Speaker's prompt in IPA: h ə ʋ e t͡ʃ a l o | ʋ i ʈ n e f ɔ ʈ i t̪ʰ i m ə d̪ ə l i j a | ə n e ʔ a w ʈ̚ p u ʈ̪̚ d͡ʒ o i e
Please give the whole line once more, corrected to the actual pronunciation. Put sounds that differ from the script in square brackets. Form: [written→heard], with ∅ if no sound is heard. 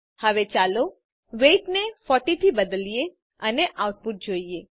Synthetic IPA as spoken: h ə ʋ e t͡ʃ a l o | ʋ [i→e] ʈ n e f ɔ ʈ i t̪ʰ i [m→b] ə d̪ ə l i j [a→e] | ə n e ʔ a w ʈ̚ p u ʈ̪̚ d͡ʒ o i e